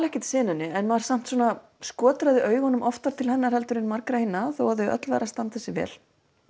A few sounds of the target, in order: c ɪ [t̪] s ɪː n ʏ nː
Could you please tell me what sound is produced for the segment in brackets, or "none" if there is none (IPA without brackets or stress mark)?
t̪